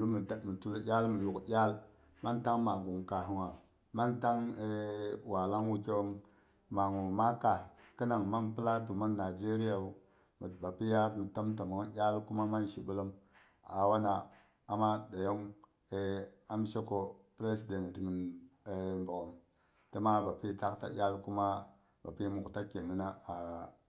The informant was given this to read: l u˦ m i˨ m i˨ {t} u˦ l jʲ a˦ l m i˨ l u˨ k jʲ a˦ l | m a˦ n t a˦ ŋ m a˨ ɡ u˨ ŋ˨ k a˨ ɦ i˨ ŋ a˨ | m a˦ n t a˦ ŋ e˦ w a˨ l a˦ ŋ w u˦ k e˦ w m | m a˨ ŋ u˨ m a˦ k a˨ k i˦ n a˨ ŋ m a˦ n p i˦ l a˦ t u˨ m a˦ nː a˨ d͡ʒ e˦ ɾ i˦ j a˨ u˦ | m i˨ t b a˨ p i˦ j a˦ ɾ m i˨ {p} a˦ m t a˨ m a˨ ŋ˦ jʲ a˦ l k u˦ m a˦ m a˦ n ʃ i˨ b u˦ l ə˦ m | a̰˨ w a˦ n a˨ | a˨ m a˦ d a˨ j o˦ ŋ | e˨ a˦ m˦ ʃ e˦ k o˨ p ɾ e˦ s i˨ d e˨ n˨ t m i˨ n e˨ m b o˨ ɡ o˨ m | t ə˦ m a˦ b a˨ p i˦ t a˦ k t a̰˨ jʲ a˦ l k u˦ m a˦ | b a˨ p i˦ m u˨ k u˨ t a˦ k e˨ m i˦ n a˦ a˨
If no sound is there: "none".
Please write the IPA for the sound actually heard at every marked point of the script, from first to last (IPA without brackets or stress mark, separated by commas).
t, t